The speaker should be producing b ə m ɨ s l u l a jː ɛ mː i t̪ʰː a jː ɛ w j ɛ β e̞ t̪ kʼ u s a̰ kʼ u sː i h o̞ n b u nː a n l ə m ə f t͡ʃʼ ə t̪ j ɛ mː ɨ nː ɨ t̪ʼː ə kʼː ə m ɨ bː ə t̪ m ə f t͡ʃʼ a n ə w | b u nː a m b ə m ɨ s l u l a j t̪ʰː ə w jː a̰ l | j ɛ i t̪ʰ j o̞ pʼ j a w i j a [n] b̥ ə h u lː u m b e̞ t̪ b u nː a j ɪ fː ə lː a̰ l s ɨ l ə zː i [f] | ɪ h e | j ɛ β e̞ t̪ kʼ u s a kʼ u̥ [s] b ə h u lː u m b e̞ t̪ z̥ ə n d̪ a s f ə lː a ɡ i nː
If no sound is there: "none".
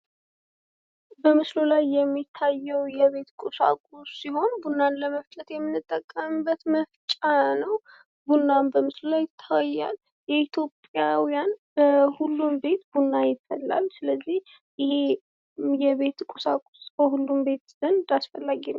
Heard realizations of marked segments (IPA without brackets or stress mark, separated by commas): n, h, s